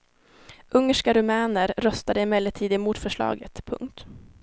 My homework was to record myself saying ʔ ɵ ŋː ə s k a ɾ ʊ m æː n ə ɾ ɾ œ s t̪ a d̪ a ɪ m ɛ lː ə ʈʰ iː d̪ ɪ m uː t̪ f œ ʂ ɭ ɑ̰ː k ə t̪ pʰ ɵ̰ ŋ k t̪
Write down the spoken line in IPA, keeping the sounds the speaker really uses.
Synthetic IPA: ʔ ɵ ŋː ə ʂ k a ɾ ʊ m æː n ə ɾ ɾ œ s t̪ a d̪ ə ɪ m ɛ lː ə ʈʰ iː d̪ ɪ m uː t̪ f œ ʂ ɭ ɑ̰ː ɡ ə t̪ pʰ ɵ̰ ŋ k t̪